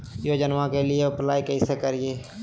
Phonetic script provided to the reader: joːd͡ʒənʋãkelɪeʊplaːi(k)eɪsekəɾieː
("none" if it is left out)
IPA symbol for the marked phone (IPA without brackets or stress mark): k